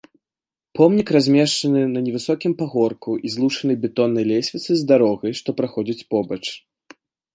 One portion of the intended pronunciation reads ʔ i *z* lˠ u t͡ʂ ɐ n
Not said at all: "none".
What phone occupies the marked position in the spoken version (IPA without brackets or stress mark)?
z